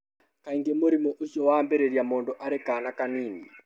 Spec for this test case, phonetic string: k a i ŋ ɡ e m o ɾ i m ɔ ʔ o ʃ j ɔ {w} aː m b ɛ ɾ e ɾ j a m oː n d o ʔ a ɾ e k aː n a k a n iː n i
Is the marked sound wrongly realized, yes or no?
no